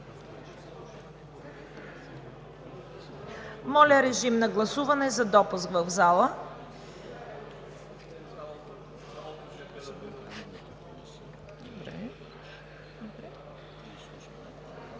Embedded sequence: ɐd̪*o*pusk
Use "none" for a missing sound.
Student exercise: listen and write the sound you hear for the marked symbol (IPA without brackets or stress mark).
ɔ